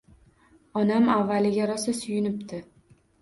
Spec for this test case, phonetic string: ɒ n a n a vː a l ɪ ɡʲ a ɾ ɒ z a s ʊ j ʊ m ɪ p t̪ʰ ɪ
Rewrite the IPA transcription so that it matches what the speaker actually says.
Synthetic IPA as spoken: ɒ n a m a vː a l ɪ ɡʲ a ɾ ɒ s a s ʊ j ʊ n ɪ p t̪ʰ ɪ